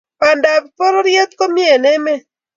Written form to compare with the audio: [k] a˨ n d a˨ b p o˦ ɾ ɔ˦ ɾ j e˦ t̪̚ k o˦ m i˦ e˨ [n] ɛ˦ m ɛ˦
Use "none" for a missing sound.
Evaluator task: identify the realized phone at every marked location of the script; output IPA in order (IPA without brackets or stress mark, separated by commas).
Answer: p, n